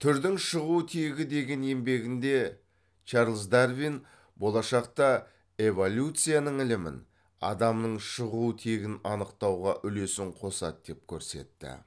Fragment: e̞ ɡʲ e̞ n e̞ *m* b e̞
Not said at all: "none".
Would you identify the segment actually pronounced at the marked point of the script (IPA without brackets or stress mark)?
m